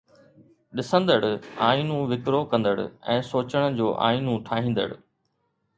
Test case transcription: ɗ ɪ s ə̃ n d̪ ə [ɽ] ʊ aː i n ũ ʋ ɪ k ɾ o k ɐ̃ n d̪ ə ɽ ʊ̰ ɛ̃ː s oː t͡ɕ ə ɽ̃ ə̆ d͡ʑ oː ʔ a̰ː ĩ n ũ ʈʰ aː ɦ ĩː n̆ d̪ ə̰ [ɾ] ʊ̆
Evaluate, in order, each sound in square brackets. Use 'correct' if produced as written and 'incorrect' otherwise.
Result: correct, incorrect

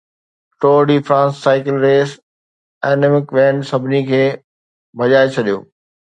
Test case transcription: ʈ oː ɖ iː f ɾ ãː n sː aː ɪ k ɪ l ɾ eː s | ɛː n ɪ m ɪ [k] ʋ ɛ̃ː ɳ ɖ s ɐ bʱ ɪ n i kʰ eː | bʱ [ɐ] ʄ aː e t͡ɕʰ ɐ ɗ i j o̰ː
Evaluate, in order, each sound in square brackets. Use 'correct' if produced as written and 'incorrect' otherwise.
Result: correct, correct

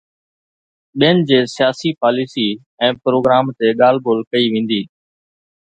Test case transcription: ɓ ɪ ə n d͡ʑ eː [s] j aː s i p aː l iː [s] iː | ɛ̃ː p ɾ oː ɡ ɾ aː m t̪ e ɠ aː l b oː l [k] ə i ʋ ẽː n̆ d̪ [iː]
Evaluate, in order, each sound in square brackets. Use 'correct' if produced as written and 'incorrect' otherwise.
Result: correct, correct, correct, correct

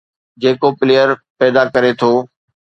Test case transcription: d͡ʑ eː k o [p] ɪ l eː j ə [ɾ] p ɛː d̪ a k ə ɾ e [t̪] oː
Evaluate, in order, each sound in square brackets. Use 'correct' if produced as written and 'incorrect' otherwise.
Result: correct, correct, incorrect

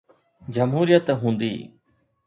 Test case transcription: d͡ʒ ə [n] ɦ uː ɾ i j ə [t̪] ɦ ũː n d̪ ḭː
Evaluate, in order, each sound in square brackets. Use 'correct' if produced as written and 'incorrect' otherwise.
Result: incorrect, correct

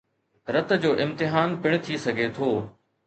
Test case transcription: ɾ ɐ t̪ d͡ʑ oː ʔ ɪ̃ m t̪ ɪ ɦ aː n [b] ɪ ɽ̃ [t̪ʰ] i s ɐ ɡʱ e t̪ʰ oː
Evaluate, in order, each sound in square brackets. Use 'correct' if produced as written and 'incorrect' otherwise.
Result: incorrect, correct

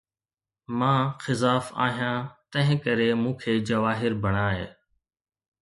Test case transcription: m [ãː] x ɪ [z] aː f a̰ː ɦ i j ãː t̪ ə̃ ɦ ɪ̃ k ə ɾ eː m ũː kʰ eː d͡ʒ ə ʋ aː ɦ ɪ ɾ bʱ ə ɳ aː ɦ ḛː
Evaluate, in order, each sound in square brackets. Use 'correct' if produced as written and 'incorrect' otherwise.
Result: correct, correct

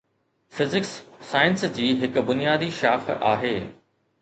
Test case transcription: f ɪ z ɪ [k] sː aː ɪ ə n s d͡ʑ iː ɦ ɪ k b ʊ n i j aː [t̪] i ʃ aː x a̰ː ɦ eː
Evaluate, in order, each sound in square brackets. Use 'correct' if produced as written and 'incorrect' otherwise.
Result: correct, incorrect

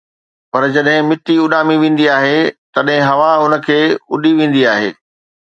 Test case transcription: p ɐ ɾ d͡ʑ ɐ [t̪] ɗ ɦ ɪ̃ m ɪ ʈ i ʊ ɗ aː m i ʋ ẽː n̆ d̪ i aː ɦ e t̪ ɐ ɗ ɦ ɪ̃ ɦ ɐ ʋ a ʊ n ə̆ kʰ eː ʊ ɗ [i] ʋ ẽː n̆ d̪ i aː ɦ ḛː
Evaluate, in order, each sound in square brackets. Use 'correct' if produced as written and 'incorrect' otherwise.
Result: incorrect, correct

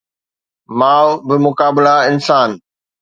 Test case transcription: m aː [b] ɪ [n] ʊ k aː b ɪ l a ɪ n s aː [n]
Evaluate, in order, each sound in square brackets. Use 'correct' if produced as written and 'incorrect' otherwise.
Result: correct, incorrect, correct

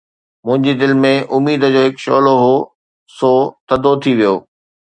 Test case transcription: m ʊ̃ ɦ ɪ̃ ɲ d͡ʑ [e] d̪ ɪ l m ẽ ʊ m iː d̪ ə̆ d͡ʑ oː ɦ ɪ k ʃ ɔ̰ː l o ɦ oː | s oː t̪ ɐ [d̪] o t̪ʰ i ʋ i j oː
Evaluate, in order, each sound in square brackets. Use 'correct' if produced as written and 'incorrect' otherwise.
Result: incorrect, correct

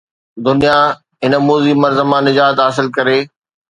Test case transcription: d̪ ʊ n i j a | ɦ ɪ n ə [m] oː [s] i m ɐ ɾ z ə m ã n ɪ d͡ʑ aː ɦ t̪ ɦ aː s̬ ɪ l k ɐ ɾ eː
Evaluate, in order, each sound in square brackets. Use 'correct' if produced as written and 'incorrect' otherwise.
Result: correct, incorrect

